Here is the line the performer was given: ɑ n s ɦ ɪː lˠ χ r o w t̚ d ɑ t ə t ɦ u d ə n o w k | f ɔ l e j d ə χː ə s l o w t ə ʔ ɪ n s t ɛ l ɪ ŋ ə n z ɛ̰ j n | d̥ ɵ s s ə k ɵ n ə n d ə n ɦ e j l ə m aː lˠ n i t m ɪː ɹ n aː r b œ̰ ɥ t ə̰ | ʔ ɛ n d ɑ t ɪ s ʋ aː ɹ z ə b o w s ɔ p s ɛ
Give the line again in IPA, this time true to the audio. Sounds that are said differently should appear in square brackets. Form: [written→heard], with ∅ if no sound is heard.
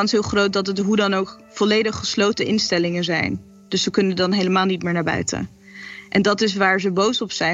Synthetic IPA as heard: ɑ n s ɦ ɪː lˠ χ r o w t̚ d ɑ t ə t ɦ u d [ə→ɑ] n o w k | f ɔ l e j d ə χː ə s l o w t ə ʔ ɪ n s t ɛ l ɪ ŋ ə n z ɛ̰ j n | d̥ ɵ s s ə k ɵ n ə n d [ə→ɑ] n ɦ e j l ə m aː lˠ n i t m ɪː ɹ n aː [r→ɹ] b œ̰ ɥ t ə̰ | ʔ ɛ n d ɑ t ɪ s ʋ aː ɹ z ə b o w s ɔ p s ɛ